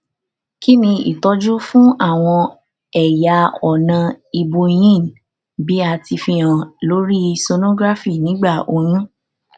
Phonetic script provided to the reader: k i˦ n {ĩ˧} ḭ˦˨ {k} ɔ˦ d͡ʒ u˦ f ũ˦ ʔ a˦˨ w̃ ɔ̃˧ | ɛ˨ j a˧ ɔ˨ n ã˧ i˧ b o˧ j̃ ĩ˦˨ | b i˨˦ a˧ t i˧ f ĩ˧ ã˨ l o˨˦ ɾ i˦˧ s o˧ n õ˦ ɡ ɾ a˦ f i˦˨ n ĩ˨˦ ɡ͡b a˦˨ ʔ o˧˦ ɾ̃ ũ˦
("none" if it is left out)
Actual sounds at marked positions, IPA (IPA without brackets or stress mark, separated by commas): ĩ˧, t